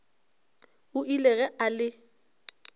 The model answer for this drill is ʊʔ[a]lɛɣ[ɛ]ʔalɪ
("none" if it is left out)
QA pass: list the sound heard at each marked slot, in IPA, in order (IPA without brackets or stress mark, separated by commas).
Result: i, ɛ